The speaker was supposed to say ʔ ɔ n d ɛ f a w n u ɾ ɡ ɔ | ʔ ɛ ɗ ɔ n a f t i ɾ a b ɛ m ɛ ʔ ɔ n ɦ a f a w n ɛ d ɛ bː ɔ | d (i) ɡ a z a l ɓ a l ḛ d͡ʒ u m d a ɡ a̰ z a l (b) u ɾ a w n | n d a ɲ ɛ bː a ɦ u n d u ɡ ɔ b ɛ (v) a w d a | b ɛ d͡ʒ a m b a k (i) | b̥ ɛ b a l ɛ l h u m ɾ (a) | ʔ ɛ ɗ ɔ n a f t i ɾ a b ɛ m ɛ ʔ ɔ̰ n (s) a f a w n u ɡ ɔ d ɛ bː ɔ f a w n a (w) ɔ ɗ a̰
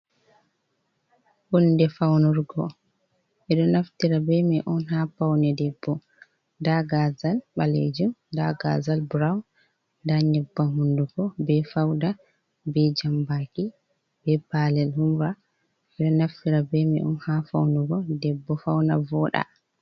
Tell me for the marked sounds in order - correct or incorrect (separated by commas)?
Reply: incorrect, correct, incorrect, correct, correct, incorrect, incorrect